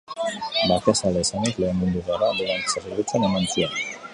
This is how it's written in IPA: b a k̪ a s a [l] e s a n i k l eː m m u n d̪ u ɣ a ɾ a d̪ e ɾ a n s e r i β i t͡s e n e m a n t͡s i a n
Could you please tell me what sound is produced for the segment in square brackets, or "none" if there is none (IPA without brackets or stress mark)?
l